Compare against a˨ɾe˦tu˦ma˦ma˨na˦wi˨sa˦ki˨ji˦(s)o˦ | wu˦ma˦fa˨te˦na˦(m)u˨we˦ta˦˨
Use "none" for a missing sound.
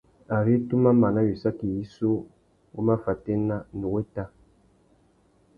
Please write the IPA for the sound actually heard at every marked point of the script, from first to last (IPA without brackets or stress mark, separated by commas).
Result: s, n